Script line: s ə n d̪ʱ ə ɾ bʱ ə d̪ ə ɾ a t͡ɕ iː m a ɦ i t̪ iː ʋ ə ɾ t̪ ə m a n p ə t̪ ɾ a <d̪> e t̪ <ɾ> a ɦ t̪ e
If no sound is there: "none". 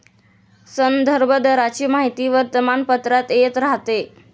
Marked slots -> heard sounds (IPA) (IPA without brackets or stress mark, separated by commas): t̪, ɾ